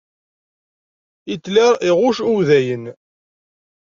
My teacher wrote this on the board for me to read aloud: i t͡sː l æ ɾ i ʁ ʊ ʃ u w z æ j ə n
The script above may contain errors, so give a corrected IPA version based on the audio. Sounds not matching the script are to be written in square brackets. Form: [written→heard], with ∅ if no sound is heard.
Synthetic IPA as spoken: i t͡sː l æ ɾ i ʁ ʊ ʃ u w [z→ð] æ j ə n